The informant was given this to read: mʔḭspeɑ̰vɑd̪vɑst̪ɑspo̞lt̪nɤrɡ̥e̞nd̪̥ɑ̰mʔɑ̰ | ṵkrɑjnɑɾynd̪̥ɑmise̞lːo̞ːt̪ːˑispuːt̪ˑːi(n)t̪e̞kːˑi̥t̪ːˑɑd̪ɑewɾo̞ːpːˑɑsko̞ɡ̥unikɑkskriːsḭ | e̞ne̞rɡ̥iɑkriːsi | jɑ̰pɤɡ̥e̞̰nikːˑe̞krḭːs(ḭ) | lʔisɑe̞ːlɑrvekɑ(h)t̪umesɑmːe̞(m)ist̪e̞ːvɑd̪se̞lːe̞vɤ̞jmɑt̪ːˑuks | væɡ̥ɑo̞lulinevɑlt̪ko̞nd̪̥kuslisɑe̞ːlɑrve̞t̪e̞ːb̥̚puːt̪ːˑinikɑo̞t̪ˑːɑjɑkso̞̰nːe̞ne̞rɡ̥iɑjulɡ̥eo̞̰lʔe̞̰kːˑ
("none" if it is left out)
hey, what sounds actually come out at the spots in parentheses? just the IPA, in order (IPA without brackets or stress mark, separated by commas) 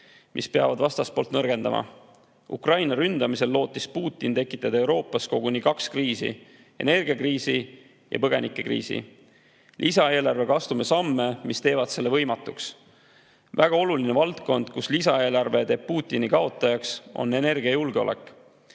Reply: n, ḭ, s, m